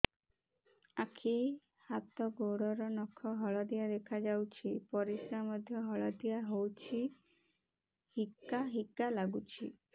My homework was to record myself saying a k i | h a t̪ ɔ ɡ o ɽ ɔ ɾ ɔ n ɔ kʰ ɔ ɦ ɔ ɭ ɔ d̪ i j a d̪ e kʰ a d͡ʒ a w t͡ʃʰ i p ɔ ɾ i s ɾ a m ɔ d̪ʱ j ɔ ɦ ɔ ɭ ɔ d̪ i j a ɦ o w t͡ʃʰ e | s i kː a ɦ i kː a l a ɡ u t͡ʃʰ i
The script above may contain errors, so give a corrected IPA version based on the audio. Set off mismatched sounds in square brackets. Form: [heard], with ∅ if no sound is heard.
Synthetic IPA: a [kʰ] i | h a t̪ ɔ ɡ o ɽ ɔ ɾ ɔ n ɔ kʰ ɔ ɦ ɔ ɭ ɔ d̪ i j a d̪ e kʰ a d͡ʒ a w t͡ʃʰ i p ɔ ɾ i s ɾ a m ɔ d̪ʱ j ɔ ɦ ɔ ɭ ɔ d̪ i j a ɦ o w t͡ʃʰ [i] | [h] i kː a ɦ i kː a l a ɡ u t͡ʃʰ i

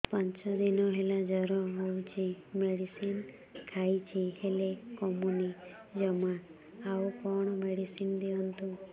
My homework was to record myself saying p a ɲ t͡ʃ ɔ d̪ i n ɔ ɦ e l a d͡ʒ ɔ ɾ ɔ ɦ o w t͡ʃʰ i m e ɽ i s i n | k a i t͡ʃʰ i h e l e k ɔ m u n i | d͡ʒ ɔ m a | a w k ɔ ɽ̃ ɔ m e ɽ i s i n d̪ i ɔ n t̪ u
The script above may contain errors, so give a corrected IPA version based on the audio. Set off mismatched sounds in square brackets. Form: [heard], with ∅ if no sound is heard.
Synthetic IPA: p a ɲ t͡ʃ ɔ d̪ i n ɔ ɦ e l a d͡ʒ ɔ ɾ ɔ ɦ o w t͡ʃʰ i m e ɽ i s i n | [kʰ] a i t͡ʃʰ i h e l e k ɔ m u n i | d͡ʒ ɔ m a | a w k ɔ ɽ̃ ɔ m e ɽ i s i n d̪ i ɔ n t̪ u

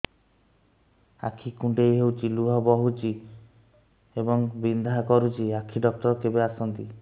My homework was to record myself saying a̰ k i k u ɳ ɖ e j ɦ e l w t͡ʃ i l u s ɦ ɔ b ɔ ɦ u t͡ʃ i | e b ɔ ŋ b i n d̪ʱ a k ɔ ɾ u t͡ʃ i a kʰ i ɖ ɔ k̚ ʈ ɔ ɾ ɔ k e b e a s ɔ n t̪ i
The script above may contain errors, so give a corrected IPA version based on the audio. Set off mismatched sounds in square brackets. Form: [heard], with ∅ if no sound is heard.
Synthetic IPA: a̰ [kʰ] i k u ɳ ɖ e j ɦ e [∅] w t͡ʃ i l u [∅] ɦ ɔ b ɔ ɦ u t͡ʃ i | e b ɔ ŋ b i n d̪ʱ a k ɔ ɾ u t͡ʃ i a kʰ i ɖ ɔ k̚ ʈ ɔ ɾ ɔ k e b e a s ɔ n t̪ i

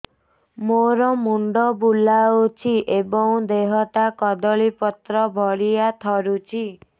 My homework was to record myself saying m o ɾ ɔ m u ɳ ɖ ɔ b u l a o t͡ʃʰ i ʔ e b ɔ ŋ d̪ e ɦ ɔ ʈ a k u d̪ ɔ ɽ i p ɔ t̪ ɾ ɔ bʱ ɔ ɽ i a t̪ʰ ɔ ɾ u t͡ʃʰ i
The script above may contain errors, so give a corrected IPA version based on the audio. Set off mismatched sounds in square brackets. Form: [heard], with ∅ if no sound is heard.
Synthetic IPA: m o ɾ ɔ m u ɳ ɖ ɔ b u l a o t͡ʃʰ i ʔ e b ɔ ŋ d̪ e ɦ ɔ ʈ a k [ɔ] d̪ ɔ [ɭ] i p ɔ t̪ ɾ ɔ bʱ ɔ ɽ i a t̪ʰ ɔ ɾ u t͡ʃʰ i

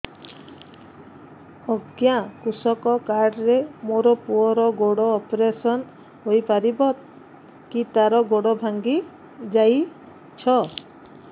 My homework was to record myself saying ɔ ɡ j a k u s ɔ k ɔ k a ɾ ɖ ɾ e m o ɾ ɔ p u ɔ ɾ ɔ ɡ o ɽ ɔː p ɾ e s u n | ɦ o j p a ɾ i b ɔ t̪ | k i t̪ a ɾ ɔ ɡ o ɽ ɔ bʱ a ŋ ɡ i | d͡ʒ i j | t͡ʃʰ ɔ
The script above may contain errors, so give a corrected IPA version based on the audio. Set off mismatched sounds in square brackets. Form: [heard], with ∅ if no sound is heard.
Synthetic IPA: ɔ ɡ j a k u s ɔ k ɔ k a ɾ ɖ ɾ e m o ɾ ɔ p u ɔ ɾ ɔ ɡ o ɽ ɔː p ɾ e s [ɔ] n | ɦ o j p a ɾ i b ɔ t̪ | k i t̪ a ɾ ɔ ɡ o ɽ ɔ bʱ a ŋ ɡ i | d͡ʒ [a] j | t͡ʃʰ ɔ

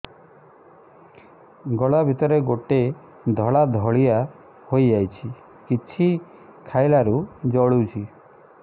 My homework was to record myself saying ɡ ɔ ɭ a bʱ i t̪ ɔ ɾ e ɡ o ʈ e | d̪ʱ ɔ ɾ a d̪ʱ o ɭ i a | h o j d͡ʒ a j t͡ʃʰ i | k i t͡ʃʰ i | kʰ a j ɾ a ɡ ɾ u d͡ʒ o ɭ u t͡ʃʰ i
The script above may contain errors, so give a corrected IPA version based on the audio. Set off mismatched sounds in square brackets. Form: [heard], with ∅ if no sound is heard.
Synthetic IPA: ɡ ɔ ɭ a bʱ i t̪ ɔ ɾ e ɡ o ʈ e | d̪ʱ ɔ [ɭ] a d̪ʱ [ɔ] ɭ i a | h o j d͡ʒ a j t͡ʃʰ i | k i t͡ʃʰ i | kʰ a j [l] a [∅] ɾ u d͡ʒ [ɔ] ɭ u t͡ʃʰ i

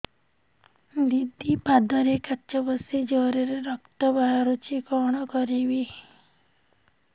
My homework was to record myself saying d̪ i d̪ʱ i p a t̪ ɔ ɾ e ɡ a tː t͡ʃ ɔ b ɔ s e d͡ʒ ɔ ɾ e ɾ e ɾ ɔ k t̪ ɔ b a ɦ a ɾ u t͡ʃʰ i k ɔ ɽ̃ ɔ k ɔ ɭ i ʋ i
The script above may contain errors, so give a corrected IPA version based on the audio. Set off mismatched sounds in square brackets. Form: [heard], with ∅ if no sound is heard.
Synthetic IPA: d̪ i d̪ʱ i p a [d̪] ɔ ɾ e [k] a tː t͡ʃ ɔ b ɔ s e d͡ʒ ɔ ɾ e ɾ e ɾ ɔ k t̪ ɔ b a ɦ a ɾ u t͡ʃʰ i k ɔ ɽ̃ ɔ k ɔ [ɾ] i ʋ i

